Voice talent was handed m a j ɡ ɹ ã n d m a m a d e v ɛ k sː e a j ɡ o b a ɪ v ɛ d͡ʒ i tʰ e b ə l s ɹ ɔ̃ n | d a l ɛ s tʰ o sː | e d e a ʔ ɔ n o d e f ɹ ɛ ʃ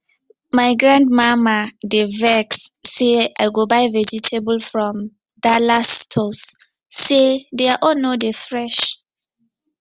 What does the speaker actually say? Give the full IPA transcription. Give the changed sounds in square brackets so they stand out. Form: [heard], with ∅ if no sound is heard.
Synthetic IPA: m a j ɡ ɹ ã n d m a m a d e v ɛ k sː e a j ɡ o b a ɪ v ɛ d͡ʒ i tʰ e b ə l [f] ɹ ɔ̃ [m] | d a l [a] s tʰ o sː | e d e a ʔ ɔ n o d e f ɹ ɛ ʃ